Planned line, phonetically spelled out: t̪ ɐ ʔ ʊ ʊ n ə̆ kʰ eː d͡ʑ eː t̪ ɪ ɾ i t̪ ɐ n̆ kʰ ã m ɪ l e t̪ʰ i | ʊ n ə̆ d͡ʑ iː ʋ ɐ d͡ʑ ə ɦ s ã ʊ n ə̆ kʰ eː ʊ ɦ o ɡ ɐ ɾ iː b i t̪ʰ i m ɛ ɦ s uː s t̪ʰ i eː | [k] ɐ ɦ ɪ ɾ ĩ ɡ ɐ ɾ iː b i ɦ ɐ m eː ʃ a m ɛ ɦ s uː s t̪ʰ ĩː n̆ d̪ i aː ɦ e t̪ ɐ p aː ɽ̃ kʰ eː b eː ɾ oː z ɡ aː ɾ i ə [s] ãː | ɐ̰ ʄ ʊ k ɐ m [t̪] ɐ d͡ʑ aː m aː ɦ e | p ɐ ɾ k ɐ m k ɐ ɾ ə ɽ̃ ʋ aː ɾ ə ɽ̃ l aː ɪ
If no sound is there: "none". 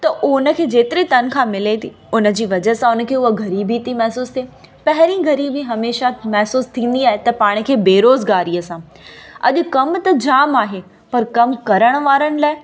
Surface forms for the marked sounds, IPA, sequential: p, s, t̪

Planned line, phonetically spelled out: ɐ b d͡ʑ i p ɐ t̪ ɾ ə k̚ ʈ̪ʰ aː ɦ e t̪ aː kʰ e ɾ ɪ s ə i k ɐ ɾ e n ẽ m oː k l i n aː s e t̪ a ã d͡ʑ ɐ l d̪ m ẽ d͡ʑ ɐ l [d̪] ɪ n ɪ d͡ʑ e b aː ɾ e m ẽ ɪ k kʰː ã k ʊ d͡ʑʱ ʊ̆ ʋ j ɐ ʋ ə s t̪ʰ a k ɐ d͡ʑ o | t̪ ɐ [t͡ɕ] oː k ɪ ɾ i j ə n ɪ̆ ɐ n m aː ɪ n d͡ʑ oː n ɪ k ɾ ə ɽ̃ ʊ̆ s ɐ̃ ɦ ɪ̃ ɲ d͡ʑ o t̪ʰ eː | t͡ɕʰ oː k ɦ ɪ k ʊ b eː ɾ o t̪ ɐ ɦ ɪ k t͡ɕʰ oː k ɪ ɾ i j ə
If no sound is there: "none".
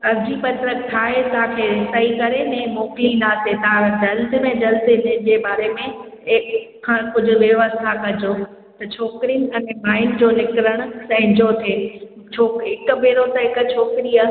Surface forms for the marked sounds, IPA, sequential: d̪, t͡ɕʰ

